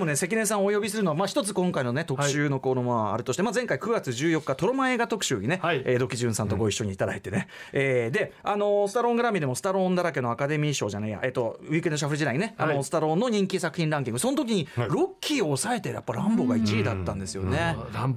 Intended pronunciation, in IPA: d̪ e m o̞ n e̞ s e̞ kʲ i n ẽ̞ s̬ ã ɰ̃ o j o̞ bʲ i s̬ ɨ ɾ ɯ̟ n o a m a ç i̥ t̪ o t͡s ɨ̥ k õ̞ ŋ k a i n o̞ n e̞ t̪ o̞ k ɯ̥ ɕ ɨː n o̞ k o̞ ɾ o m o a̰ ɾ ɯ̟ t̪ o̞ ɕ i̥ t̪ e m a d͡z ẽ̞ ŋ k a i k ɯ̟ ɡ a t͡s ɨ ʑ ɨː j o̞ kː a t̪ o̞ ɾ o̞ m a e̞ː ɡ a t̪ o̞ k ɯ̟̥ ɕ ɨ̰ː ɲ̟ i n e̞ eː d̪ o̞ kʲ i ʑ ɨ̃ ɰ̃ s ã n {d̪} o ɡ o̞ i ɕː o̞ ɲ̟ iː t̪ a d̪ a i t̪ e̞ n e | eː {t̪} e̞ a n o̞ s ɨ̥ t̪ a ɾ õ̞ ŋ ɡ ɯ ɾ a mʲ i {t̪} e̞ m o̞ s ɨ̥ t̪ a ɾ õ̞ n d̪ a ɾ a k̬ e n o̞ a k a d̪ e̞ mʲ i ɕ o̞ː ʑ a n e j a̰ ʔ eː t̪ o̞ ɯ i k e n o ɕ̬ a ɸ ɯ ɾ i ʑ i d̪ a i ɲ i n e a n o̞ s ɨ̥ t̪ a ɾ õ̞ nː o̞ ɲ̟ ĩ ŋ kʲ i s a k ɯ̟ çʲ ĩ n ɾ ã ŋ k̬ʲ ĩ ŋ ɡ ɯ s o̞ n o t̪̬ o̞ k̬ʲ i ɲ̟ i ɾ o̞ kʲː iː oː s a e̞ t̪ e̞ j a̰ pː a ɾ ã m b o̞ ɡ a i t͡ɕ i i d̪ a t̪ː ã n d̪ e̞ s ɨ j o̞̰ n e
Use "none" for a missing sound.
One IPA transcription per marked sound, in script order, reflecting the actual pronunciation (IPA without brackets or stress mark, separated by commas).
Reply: t̪, d̪, d̪